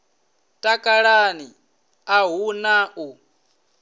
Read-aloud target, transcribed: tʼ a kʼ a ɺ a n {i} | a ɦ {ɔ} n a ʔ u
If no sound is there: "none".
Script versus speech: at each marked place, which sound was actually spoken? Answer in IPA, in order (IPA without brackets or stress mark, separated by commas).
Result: i, u